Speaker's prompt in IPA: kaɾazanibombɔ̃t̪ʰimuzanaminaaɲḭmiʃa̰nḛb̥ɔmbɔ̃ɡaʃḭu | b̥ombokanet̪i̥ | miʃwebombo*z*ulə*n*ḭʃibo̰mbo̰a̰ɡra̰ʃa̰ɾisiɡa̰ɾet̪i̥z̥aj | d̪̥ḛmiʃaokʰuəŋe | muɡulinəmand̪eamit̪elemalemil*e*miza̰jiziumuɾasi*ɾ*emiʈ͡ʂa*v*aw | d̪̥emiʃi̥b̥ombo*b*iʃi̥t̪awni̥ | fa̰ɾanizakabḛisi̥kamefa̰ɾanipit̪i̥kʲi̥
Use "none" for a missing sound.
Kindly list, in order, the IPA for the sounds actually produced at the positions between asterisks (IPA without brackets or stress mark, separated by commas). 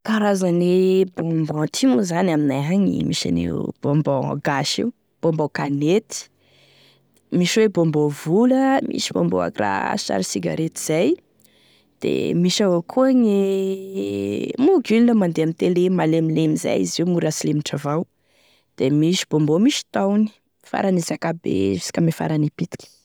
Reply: v, m, e, l, v, m